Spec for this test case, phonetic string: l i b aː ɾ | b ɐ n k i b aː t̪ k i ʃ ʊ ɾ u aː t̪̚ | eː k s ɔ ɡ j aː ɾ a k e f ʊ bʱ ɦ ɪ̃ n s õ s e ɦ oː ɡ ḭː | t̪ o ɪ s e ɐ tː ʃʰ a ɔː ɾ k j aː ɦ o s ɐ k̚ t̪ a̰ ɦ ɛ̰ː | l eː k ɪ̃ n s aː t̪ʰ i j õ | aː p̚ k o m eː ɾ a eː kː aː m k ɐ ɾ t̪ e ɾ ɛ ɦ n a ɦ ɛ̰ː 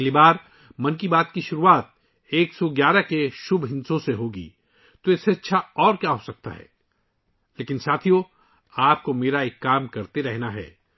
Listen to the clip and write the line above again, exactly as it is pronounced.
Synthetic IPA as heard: l i b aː ɾ | m ɐ n k i b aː t̪ k i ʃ ʊ ɾ u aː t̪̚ | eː k s ɔ ɡ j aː ɾ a k e ʃ ʊ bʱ ɦ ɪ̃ n s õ s e ɦ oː ɡ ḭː | t̪ o ɪ s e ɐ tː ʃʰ a ɔː ɾ k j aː ɦ o s ɐ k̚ t̪ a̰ ɦ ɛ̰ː | l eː k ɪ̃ n s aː t̪ʰ i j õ | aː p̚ k o m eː ɾ a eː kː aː m k ɐ ɾ t̪ e ɾ ɛ ɦ n a ɦ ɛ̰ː